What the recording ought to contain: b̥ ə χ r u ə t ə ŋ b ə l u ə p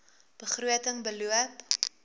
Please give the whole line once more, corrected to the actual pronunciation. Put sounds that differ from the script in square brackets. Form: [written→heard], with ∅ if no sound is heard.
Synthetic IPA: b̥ ə χ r u ə t ə ŋ b ə l u ə p

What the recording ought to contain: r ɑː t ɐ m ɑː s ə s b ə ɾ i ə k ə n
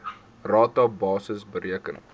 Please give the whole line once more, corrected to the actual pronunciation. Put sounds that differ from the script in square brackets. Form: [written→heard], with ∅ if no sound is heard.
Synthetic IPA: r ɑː t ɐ [m→b] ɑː s ə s b ə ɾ i ə k ə n

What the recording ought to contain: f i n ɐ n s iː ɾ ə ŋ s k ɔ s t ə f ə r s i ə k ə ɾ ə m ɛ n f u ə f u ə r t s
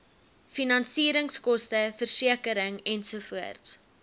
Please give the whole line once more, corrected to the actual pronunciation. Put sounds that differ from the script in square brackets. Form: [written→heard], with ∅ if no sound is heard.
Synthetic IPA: f i n ɐ n s iː ɾ ə ŋ s k ɔ s t ə f ə r s i ə k ə ɾ ə [m→ŋ] ɛ n [f→s] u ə f u ə r t s

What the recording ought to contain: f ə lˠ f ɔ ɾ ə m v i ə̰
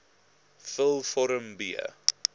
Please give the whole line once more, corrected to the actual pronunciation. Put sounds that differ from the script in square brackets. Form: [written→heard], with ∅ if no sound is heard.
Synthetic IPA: f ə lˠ f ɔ ɾ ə m [v→b] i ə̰

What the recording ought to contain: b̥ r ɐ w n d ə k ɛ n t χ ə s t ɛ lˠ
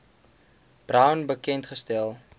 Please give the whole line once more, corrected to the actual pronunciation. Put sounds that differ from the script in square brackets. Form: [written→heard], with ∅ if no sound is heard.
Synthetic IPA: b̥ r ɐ w n [d→b] ə k ɛ n t χ ə s t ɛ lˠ

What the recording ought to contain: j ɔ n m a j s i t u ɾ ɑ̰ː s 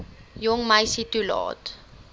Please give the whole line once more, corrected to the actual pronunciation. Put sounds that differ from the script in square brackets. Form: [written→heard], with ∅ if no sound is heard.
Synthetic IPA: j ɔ [n→ŋ] m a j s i t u [ɾ→l] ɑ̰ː [s→t]

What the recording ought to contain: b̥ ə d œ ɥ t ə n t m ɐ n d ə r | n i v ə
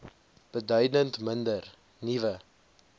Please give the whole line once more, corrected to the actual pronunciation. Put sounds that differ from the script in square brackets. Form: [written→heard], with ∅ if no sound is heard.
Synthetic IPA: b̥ ə d œ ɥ [t→d] ə n t m [ɐ→ə] n d ə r | n i v ə

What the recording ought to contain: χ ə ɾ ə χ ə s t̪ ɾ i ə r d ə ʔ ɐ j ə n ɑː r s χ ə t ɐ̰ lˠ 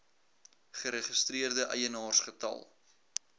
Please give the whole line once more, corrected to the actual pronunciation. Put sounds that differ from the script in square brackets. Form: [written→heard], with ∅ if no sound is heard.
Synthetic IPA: χ ə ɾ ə χ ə s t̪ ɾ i ə r d ə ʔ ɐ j ə n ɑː r s χ ə t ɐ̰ lˠ

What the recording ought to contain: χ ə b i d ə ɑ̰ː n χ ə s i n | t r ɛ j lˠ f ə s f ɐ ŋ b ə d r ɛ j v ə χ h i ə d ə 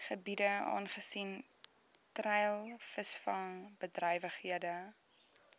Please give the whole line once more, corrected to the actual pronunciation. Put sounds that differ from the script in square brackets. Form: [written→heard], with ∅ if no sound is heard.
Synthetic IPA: χ ə b i d ə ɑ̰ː n χ ə s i n | t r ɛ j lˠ f ə s f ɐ ŋ b ə d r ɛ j v ə χ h i ə d ə

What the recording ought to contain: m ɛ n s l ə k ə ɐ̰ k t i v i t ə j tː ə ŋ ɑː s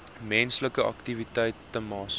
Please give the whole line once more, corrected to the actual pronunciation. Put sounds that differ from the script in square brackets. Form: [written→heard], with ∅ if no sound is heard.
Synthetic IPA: m ɛ n s l ə k ə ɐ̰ k t i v i t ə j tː ə [ŋ→m] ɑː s

